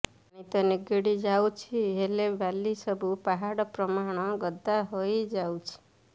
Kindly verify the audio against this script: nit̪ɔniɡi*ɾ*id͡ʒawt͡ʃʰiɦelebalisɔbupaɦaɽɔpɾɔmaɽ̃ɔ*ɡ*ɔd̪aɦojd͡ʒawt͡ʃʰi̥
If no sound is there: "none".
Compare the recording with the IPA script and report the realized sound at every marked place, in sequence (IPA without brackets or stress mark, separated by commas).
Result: ɽ, ɡ